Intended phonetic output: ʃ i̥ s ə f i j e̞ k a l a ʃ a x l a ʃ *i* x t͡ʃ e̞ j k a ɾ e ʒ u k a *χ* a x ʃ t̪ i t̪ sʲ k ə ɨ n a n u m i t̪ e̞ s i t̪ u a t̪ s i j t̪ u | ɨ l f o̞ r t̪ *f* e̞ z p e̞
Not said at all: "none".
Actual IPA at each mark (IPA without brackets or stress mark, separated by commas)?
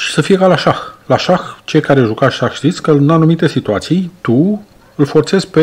a, ʃ, s